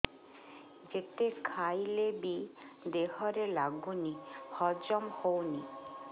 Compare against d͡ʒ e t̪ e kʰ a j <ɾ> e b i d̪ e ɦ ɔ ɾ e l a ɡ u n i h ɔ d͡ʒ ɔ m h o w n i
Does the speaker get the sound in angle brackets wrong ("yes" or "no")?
yes